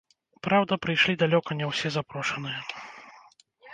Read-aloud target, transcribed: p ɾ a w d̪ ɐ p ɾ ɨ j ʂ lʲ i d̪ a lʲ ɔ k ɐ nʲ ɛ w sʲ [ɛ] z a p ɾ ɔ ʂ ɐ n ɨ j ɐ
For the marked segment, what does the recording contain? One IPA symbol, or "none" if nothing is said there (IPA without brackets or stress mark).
ɛ